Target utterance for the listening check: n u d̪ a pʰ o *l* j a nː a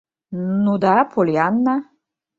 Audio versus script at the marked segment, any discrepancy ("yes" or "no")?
no